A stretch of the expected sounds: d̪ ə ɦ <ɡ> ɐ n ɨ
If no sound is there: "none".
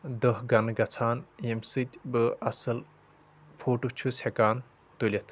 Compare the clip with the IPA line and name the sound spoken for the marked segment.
ɡ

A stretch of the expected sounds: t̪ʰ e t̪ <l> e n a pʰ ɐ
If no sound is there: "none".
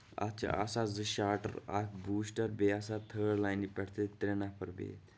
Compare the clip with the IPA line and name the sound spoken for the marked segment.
ɾ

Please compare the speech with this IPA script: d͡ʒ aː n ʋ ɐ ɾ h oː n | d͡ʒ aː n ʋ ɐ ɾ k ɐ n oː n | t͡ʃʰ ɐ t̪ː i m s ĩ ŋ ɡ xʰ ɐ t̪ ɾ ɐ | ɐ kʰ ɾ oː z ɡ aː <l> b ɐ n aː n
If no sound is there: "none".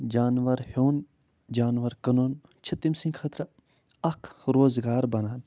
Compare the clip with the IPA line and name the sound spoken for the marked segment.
ɾ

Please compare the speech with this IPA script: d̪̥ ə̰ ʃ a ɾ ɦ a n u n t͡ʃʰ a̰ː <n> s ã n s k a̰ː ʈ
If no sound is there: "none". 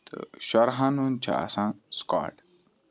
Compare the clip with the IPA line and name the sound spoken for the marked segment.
none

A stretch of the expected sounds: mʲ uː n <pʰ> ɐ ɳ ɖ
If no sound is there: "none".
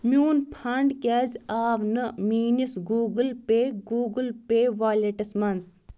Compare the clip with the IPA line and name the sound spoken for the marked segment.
pʰ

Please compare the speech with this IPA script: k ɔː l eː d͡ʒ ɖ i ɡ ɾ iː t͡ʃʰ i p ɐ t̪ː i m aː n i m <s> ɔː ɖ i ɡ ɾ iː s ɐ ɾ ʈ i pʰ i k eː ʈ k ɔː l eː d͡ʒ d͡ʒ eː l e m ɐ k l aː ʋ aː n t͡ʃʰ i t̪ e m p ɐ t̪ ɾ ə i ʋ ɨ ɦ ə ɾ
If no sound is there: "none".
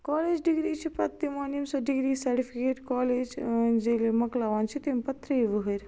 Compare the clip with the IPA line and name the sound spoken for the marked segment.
s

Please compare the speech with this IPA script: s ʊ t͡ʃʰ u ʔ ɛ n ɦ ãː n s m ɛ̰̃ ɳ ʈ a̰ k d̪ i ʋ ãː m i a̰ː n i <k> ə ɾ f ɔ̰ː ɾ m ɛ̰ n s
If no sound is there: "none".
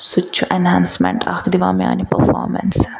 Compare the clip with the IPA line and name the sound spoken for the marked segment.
p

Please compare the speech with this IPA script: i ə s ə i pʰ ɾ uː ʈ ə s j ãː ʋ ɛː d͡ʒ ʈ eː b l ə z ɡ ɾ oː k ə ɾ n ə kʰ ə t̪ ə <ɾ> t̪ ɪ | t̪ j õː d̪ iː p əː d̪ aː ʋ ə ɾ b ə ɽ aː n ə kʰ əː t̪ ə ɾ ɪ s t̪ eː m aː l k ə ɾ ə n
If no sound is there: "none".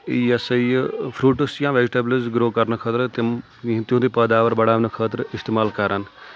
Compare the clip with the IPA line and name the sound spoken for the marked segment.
ɾ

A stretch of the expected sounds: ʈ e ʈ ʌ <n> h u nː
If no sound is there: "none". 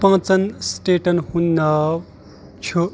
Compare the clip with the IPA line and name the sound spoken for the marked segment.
n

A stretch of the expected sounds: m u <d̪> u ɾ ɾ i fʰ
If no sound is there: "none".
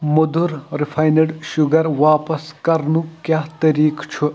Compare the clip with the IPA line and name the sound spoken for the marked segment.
d̪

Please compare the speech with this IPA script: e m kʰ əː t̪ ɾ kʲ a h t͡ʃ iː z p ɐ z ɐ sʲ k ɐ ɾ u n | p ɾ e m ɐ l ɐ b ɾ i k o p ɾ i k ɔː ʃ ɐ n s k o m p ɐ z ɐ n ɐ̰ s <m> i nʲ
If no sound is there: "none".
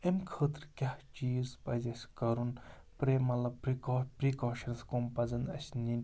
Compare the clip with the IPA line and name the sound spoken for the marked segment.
n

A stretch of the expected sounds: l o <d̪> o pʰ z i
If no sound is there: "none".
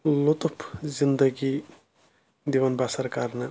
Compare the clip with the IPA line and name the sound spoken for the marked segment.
t̪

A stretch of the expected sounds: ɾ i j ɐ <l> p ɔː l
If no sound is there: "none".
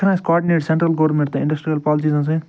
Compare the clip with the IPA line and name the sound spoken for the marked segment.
l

